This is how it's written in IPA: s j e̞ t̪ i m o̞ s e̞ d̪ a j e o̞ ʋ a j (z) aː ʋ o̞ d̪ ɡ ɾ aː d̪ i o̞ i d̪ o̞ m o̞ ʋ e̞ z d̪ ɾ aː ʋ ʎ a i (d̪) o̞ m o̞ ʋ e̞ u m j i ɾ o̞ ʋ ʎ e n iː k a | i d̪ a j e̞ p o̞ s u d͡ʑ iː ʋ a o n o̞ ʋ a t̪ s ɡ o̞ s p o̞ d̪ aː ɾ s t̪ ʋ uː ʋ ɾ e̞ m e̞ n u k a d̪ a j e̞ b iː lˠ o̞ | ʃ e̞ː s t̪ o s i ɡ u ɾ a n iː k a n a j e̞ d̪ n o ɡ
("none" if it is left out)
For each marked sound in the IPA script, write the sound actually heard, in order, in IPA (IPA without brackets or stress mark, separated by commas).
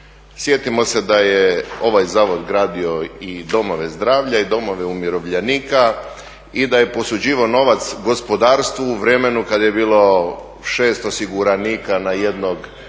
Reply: z, d̪